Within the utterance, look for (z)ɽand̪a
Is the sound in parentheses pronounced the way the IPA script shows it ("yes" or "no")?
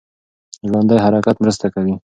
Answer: no